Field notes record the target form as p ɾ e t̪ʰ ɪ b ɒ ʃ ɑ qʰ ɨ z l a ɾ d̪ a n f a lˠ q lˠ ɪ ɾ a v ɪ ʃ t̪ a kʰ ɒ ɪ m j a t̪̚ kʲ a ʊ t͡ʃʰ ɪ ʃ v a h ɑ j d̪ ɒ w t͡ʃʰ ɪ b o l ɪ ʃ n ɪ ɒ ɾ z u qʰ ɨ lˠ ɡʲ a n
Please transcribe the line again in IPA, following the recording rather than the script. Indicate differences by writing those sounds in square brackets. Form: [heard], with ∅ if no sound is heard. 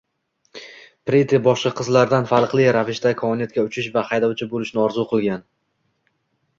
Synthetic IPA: p ɾ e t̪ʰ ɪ b ɒ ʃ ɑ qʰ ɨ z l a ɾ d̪ a n f a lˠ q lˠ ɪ ɾ a v ɪ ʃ t̪ a kʰ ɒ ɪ [n] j a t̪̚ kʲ a ʊ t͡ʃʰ ɪ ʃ v a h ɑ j d̪ ɒ w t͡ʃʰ ɪ b o l ɪ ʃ n ɪ ɒ ɾ z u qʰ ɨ lˠ ɡʲ a n